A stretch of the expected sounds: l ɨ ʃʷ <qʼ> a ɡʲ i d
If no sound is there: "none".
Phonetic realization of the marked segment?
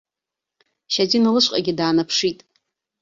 qʼ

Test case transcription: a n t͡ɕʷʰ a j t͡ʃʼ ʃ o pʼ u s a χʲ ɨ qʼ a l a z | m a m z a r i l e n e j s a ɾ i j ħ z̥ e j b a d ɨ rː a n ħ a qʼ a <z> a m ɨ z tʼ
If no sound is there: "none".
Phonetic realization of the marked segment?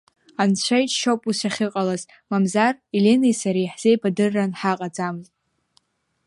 d͡z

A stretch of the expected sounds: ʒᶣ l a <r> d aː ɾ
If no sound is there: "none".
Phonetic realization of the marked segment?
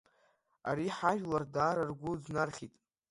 r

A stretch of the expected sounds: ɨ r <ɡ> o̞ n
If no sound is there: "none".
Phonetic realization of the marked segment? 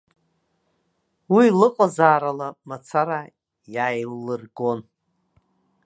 ɡ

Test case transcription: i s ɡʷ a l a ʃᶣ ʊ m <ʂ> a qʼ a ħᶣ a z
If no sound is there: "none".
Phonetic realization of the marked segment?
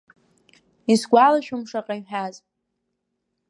ʂ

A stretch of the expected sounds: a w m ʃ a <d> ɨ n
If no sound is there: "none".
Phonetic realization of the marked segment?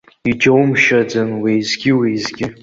d͡z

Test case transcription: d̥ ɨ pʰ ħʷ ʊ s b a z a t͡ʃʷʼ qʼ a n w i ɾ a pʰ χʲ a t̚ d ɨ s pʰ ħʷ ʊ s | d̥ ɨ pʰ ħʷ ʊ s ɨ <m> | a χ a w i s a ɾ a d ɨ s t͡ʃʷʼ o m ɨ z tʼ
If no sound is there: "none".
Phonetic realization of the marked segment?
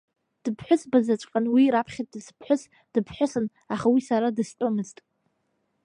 n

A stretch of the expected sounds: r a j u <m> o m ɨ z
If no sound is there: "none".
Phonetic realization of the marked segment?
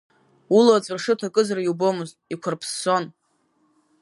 b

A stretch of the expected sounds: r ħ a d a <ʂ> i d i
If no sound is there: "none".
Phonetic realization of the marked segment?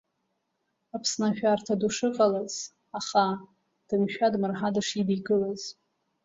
ʂ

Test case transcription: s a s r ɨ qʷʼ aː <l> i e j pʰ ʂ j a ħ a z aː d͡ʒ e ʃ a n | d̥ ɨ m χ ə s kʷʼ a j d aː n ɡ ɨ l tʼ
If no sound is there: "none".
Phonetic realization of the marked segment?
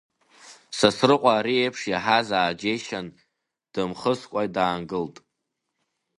ɾ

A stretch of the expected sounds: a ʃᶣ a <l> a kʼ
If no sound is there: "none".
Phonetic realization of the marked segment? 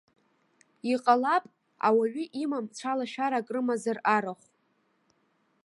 ɾ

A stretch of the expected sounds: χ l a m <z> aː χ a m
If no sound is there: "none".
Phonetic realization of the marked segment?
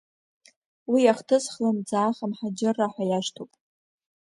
d͡z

